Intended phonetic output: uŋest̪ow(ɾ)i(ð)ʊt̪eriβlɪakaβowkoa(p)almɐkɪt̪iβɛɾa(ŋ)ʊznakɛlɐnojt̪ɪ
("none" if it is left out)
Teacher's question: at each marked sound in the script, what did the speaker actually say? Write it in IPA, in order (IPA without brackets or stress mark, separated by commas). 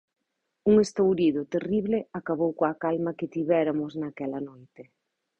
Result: ɾ, ð, k, m